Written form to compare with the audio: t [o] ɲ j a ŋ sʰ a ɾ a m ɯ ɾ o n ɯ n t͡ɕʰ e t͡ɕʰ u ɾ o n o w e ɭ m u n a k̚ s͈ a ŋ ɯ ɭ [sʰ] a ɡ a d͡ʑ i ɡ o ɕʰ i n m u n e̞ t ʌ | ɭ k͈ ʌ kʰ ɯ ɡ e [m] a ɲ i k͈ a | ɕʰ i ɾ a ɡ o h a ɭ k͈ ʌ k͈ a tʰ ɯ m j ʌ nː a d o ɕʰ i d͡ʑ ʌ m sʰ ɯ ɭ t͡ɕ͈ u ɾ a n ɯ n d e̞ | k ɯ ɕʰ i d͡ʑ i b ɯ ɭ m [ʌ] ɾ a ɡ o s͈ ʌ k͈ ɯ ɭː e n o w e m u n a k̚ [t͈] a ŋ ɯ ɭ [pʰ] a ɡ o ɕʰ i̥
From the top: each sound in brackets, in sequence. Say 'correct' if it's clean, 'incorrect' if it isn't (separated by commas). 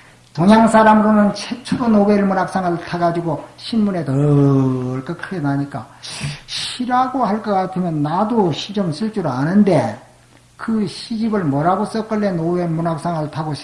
correct, incorrect, incorrect, correct, incorrect, incorrect